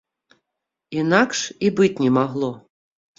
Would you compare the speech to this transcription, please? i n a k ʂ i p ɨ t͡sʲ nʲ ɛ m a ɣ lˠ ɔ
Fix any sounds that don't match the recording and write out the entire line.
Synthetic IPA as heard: i n a k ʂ i b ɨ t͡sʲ nʲ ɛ m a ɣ lˠ ɔ

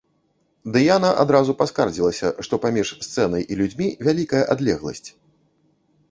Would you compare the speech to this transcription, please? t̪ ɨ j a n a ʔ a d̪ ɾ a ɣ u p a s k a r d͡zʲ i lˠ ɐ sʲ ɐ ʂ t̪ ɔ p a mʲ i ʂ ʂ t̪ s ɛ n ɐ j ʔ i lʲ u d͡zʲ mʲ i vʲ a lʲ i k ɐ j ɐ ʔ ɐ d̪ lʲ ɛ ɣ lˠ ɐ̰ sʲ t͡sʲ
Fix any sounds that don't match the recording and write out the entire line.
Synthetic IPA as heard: d̪ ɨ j a n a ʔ a d̪ ɾ a z u p a s k a r d͡zʲ i lˠ ɐ sʲ ɐ ʂ t̪ ɔ p a mʲ i ʂ s t̪ s ɛ n ɐ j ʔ i lʲ u d͡zʲ mʲ i vʲ a lʲ i k ɐ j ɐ ʔ a d̪ lʲ ɛ ɣ lˠ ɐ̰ sʲ t͡sʲ

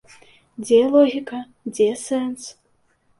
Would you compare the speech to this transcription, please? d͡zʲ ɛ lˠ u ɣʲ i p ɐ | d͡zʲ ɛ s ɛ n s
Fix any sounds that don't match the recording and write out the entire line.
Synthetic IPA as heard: d͡zʲ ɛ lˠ ɔ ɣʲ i k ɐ | d͡zʲ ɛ s ɛ n s

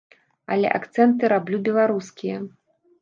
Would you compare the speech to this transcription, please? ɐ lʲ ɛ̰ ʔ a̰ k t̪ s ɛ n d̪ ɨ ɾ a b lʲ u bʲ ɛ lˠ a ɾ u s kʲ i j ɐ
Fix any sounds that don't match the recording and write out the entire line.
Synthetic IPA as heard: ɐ lʲ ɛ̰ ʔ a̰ k t̪ s ɛ n t̪ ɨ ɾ a b lʲ u bʲ ɛ lˠ a ɾ u s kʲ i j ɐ

